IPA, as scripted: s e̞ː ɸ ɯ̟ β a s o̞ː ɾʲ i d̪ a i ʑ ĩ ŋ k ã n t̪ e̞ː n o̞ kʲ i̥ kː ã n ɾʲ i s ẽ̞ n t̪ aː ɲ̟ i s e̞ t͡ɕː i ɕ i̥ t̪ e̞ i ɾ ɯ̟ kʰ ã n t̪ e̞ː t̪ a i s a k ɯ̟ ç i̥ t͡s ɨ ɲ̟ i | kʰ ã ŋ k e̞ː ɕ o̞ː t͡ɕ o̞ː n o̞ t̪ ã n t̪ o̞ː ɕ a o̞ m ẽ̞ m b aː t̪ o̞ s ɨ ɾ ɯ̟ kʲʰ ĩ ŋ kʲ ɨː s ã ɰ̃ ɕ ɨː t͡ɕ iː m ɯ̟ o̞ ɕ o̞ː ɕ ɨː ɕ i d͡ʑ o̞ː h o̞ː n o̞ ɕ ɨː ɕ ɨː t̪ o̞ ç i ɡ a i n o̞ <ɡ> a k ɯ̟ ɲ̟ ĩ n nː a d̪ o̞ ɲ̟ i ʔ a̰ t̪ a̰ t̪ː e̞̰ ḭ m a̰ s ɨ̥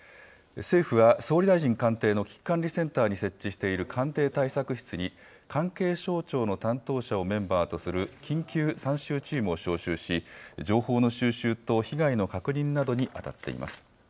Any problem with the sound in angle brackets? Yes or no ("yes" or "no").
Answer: yes